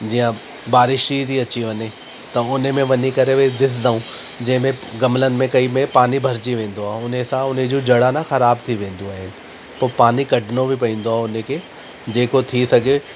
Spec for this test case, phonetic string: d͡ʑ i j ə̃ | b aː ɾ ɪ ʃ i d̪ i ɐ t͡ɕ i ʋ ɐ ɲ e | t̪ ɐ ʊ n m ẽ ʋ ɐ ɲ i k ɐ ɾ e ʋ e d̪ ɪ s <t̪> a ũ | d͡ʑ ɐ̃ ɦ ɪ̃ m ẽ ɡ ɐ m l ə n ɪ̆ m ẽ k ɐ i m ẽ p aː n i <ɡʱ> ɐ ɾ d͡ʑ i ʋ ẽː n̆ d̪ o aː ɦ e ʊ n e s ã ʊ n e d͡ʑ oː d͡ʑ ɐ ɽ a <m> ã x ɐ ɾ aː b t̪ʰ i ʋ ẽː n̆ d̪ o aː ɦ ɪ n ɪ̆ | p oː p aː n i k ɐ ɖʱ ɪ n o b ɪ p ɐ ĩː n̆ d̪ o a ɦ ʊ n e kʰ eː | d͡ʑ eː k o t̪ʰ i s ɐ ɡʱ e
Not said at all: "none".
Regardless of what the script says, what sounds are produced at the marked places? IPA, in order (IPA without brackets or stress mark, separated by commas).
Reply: d̪, bʱ, n